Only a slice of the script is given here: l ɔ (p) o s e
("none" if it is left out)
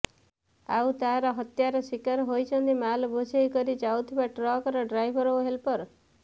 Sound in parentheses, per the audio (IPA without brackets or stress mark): b